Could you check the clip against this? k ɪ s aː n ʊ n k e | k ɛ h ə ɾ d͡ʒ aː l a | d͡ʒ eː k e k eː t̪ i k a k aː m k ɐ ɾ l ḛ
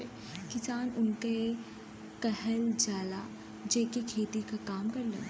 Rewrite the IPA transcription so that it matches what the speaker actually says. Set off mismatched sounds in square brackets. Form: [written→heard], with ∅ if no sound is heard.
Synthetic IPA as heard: k ɪ s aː n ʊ n k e | k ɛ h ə [ɾ→l] d͡ʒ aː l a | d͡ʒ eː k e [k→kʰ] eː t̪ i k a k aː m k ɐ ɾ l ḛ